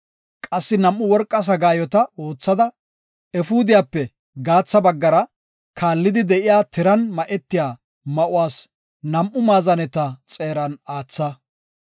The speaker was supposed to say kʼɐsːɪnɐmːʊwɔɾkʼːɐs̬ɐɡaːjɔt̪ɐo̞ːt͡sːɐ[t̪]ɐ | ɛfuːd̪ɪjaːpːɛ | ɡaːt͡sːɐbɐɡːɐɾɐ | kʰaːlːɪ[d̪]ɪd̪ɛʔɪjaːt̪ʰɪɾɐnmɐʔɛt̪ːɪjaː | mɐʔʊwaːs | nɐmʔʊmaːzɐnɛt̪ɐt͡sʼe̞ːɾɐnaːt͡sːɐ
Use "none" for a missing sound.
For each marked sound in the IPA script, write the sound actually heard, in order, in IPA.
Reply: d̪, d̪

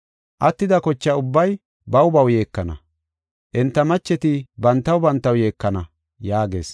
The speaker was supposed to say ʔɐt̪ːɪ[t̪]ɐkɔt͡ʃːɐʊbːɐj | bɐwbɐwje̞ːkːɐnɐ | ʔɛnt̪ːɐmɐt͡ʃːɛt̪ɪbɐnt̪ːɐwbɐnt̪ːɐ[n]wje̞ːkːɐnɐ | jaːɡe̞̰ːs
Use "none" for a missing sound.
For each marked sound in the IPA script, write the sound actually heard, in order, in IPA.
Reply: d̪, none

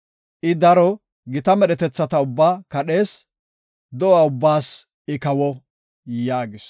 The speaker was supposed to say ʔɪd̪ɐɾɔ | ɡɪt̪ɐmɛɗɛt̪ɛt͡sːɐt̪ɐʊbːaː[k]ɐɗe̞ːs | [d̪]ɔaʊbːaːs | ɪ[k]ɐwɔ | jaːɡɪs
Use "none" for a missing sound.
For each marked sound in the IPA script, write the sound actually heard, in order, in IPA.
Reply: k, d̪, k

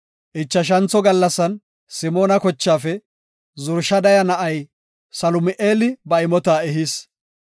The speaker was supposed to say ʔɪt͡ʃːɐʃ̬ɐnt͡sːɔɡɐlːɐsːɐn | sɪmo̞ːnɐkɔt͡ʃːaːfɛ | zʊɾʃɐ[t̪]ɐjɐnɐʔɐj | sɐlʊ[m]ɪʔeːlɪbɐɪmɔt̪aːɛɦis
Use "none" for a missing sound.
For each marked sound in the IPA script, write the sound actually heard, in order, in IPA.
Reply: d̪, m

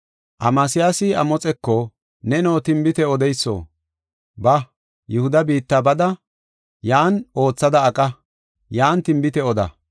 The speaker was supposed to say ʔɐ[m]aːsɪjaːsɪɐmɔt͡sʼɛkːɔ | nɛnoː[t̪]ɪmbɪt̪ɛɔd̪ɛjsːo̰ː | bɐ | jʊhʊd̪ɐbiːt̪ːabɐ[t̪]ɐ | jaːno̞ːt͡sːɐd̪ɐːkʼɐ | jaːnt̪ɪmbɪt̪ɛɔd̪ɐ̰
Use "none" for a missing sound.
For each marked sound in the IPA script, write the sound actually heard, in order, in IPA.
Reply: m, t̪, d̪

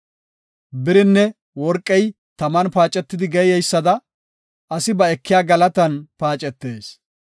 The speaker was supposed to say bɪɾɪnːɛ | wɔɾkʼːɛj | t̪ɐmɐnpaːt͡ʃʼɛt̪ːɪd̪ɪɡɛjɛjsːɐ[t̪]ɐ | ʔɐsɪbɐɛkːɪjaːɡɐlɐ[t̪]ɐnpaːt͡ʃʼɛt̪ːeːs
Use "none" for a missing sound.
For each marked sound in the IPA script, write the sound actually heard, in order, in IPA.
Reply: d̪, t̪

